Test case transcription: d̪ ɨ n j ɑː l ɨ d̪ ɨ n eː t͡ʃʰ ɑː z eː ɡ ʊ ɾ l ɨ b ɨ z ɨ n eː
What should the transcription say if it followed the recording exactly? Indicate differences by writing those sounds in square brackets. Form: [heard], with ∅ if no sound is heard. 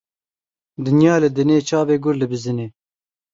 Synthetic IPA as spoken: d̪ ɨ n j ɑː l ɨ d̪ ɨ n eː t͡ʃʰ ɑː [v] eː ɡ ʊ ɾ l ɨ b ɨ z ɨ n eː

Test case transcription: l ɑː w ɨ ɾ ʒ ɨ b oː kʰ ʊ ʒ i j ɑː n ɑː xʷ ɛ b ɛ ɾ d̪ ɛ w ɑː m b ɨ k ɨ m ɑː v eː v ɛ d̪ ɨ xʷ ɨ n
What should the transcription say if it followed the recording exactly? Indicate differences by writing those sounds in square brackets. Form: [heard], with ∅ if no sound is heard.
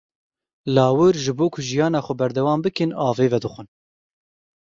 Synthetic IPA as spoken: l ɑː w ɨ ɾ ʒ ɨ b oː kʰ ʊ ʒ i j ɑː n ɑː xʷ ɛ b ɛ ɾ d̪ ɛ w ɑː m b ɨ k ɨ [n] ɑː v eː v ɛ d̪ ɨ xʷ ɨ n

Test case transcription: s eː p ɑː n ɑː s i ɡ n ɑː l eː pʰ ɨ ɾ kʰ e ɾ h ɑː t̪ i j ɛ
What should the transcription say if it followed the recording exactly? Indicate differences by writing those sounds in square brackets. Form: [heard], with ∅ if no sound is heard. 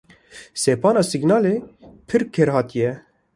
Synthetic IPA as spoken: s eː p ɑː n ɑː s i ɡ n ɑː l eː pʰ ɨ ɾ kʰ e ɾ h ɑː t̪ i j ɛ

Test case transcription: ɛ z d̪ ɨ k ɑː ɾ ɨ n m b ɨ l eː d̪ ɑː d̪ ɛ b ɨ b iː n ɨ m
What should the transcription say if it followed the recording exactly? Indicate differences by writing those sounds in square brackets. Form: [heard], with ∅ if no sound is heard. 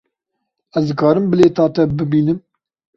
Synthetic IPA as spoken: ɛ z d̪ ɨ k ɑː ɾ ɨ [∅] m b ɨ l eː [t̪] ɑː [t̪] ɛ b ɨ b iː n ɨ m

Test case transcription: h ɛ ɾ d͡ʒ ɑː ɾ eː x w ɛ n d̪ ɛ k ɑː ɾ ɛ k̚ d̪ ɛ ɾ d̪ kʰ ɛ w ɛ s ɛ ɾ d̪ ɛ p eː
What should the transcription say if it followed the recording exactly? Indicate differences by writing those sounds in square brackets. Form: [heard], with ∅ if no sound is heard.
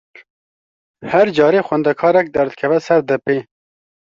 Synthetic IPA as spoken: h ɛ ɾ d͡ʒ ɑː ɾ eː x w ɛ n d̪ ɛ [kʰ] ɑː ɾ ɛ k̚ d̪ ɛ ɾ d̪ kʰ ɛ [v] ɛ s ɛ ɾ d̪ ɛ p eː

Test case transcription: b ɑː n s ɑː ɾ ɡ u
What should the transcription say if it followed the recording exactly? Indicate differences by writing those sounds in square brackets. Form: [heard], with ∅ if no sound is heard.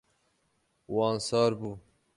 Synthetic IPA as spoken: [w] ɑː n s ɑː ɾ [b] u

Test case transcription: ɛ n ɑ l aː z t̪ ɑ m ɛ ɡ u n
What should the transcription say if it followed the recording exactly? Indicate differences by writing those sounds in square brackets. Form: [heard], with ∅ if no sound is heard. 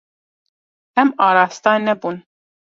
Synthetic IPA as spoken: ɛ [m] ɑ [ɾ] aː [s] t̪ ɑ [n] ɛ [b] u n

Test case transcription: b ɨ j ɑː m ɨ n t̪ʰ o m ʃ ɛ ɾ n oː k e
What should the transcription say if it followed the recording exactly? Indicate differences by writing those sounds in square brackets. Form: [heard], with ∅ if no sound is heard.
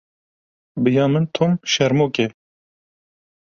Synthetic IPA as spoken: b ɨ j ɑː m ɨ n t̪ʰ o m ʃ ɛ ɾ [m] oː k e

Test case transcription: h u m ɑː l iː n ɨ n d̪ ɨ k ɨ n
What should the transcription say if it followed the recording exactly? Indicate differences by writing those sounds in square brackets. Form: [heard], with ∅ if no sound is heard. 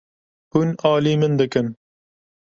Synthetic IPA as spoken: h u [n] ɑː l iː [m] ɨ n d̪ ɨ k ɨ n

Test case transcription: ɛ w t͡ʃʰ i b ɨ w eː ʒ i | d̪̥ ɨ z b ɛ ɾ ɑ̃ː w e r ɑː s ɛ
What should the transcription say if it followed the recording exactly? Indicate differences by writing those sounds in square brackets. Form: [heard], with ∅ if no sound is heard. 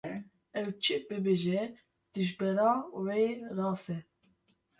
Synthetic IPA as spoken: ɛ w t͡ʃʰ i b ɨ [b] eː ʒ [ɛ] | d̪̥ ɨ [ʒ] b ɛ ɾ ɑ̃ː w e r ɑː s ɛ

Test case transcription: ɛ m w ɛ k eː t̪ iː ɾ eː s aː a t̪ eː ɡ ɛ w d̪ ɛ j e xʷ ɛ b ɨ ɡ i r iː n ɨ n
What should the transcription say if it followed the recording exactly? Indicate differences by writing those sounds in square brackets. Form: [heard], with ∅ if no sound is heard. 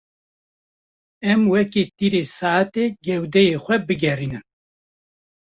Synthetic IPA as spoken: ɛ m w ɛ k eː t̪ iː ɾ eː s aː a t̪ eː ɡ ɛ w d̪ ɛ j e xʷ ɛ b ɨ ɡ [ɛ] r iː n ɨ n

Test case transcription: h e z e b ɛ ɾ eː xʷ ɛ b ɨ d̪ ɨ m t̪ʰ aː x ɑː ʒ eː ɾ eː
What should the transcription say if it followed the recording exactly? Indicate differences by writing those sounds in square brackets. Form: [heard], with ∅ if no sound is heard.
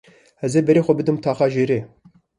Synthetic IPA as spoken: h [ɛ] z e b ɛ ɾ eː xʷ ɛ b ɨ d̪ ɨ m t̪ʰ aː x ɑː ʒ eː ɾ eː

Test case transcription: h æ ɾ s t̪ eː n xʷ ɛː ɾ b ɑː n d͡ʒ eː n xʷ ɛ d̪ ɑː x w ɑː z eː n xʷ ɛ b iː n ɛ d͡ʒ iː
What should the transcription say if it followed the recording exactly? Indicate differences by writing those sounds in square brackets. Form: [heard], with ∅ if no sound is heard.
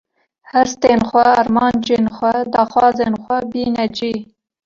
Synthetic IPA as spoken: h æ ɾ s t̪ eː n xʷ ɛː ɾ [m] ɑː n d͡ʒ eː n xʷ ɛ d̪ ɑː x w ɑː z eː n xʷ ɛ b iː n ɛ d͡ʒ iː

